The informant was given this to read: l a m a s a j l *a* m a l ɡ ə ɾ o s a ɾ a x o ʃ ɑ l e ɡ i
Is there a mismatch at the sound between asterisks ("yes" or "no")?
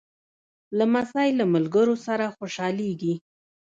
no